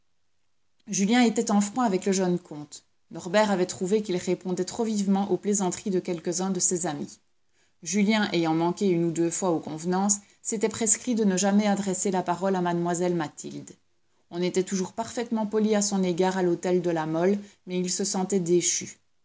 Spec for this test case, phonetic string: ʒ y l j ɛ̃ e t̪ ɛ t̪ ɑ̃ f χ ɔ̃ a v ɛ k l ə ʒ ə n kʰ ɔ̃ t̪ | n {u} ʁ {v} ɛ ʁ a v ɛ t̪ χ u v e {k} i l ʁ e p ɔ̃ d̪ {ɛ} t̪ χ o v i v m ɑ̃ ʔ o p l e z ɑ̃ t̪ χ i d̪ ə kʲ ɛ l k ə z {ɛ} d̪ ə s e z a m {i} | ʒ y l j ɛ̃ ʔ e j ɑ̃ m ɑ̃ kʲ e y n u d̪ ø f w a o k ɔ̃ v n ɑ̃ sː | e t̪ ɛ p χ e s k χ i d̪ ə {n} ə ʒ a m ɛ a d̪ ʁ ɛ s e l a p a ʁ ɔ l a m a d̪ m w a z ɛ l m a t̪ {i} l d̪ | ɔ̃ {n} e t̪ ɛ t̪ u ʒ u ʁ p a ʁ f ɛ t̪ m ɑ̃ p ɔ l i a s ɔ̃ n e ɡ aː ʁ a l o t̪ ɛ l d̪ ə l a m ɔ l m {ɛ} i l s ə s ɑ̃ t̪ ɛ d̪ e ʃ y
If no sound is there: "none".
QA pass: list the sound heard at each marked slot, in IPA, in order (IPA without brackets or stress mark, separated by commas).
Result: ɔ, b, k, ɛ, ɛ̃, i, n, i, n, ɛ